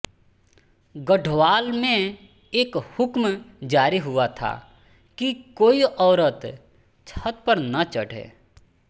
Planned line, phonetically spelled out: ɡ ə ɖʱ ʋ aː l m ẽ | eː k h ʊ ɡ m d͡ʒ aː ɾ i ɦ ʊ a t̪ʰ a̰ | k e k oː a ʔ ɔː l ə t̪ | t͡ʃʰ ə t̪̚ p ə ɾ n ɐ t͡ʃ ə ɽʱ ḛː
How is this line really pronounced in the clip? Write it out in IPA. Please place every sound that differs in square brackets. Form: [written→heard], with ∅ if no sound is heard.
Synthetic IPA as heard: ɡ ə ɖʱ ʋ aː l m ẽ | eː k h ʊ [ɡ→k] m d͡ʒ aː ɾ i ɦ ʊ a t̪ʰ a̰ | k [e→i] k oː [a→i] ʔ ɔː [l→ɾ] ə t̪ | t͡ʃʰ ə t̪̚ p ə ɾ n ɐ t͡ʃ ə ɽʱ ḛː